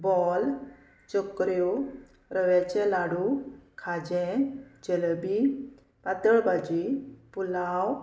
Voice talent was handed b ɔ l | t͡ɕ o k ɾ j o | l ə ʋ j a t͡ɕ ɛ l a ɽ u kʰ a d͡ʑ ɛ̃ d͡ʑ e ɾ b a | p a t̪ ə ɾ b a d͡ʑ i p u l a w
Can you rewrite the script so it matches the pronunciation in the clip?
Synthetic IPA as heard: b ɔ l | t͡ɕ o k ɾ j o | ɾ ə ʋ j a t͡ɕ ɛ l a ɽ u kʰ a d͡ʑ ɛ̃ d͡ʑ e l b i | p a t̪ ə ɭ b a d͡ʑ i p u l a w